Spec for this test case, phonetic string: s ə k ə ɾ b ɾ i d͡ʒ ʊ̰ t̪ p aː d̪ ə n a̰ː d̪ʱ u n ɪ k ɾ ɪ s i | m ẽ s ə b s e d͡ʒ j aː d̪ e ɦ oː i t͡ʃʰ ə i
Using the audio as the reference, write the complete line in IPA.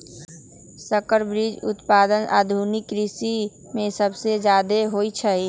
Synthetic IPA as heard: s ə k ə ɾ b ɾ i d͡ʒ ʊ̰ t̪ p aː d̪ ə n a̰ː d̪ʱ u n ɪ k ɾ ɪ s i | m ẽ s ə b s e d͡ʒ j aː d̪ e ɦ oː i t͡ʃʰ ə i